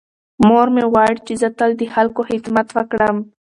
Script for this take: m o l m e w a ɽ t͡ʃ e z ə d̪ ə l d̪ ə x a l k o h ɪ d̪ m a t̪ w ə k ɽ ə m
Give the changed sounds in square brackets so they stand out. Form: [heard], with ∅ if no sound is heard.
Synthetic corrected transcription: m o [ɾ] m e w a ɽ t͡ʃ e z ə [t̪] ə l d̪ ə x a l k o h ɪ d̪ m a t̪ w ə k ɽ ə m